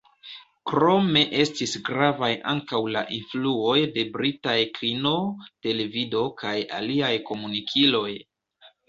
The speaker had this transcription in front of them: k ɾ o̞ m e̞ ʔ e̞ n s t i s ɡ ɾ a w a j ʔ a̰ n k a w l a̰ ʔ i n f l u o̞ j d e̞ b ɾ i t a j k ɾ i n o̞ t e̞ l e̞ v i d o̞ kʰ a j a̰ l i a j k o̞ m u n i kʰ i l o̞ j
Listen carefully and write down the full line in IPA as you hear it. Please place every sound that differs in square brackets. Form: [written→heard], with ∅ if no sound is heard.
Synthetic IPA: k ɾ o̞ m e̞ ʔ e̞ [n→∅] s t i s ɡ ɾ a [w→v] a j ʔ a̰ [n→ŋ] k a w l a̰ ʔ i n f l u o̞ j d e̞ b ɾ i t a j k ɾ i n o̞ t e̞ l e̞ v i d o̞ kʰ a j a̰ l i a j k o̞ m u n i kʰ i l o̞ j